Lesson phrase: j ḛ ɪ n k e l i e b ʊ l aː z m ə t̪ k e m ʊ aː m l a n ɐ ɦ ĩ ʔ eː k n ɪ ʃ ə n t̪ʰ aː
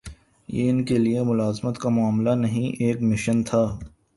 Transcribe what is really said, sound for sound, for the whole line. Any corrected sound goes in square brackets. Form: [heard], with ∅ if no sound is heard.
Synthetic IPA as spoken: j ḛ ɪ n k e l i e [m] ʊ l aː z m ə t̪ k [a] m ʊ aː m l a n ɐ ɦ ĩ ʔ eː k [m] ɪ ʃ ə n t̪ʰ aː